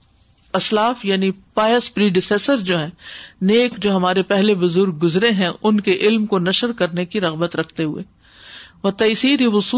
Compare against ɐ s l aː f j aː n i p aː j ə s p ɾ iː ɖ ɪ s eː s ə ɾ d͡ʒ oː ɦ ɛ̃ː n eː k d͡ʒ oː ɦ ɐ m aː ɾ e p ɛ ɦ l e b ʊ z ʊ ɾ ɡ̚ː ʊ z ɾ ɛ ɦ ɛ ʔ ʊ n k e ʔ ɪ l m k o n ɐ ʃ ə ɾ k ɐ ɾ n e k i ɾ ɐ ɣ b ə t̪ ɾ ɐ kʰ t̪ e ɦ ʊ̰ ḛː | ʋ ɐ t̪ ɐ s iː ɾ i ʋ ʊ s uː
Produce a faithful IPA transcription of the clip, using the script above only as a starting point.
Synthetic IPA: ɐ s l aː f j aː n i p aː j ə s p ɾ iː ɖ ɪ s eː s ə ɾ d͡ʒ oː ɦ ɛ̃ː n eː k d͡ʒ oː ɦ ɐ m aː ɾ e p ɛ ɦ l e b ʊ z ʊ ɾ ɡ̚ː ʊ z ɾ e ɦ ɛ̃ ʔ ʊ n k e ʔ ɪ l m k o n ɐ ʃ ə ɾ k ɐ ɾ n e k i ɾ ɐ ɣ b ə t̪ ɾ ɐ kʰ t̪ e ɦ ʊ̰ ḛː | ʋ ɐ t̪ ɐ s iː ɾ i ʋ ʊ s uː